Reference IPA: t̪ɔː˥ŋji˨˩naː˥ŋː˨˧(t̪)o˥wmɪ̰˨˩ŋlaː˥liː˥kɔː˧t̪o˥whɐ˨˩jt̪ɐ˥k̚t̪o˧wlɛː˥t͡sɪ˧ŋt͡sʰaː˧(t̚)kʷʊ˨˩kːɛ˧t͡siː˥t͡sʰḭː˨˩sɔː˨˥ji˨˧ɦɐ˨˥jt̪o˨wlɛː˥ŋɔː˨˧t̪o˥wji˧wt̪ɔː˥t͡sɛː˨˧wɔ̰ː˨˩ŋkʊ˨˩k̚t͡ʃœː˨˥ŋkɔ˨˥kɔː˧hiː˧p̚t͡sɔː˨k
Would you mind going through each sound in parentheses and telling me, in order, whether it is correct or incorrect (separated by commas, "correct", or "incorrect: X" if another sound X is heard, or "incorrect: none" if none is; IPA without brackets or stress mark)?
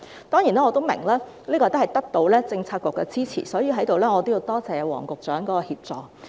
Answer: correct, correct